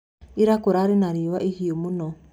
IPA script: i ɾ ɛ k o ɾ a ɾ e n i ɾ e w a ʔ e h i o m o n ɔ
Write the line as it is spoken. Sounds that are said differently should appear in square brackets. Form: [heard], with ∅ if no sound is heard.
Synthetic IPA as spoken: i ɾ [a] k o ɾ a ɾ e n [a] ɾ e w a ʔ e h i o m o n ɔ